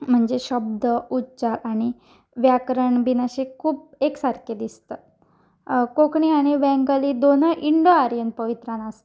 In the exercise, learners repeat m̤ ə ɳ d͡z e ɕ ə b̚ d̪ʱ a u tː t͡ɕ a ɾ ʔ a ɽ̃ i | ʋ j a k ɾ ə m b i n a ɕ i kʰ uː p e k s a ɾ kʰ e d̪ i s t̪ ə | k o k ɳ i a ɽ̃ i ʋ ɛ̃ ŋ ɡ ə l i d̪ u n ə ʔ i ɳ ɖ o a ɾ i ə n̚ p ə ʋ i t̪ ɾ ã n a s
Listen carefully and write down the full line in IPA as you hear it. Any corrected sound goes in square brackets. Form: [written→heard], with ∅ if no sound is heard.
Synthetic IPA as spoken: m̤ ə ɳ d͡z e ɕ ə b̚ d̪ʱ [a→ə] u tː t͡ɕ a ɾ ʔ a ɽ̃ i | ʋ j a k ɾ ə [m→ɳ] b i n a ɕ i kʰ uː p e k s a ɾ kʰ e d̪ i s t̪ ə | k o k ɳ i a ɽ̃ i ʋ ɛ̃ ŋ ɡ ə l i d̪ [u→o] n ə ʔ i ɳ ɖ o a ɾ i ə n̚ p ə ʋ i t̪ ɾ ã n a s